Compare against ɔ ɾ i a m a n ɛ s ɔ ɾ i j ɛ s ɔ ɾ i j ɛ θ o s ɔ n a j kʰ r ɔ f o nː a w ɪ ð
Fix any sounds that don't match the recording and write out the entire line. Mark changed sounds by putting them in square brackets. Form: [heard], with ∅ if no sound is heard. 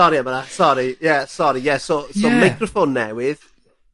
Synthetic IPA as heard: ɔ ɾ i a m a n [a] s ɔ ɾ i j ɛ s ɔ ɾ i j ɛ [s] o s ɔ [m] a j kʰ r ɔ f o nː [ɛ] w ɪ ð